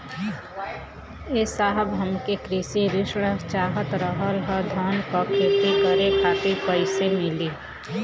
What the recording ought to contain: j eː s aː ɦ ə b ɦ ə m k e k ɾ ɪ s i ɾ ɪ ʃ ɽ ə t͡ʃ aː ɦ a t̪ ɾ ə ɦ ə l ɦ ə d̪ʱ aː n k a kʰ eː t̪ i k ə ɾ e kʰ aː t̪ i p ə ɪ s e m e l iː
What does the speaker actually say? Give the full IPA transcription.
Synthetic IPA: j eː s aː ɦ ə b ɦ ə m k e k ɾ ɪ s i ɾ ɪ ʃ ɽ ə t͡ʃ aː ɦ ə t̪ ɾ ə ɦ ə l ɦ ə d̪ʱ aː n k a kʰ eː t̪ i k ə ɾ e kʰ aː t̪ i p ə ɪ s e m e l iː